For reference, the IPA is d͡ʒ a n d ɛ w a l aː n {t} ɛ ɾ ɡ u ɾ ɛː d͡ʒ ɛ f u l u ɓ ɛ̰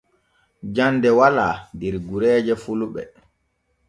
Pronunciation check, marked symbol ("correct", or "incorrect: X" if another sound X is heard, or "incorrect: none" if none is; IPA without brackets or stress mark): incorrect: d